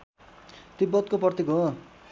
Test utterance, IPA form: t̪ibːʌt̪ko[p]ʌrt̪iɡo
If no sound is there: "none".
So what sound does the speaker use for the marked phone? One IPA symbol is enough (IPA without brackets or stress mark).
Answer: p